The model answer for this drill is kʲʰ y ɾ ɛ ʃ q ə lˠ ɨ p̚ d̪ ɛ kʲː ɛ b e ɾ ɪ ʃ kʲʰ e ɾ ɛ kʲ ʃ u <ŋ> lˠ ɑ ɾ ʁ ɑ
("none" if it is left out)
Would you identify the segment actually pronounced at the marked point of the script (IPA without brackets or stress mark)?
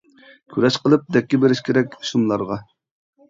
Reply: m